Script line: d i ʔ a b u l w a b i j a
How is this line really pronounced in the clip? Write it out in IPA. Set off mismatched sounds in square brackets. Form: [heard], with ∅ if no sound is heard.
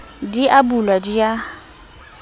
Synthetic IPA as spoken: d i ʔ a b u l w a [d] i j a